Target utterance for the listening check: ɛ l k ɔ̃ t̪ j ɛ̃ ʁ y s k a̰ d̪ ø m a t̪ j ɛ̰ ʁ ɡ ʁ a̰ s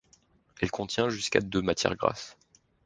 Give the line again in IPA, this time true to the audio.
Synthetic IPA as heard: ɛ l k ɔ̃ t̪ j ɛ̃ ʒ y s k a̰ d̪ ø m a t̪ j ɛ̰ ʁ ɡ ʁ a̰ s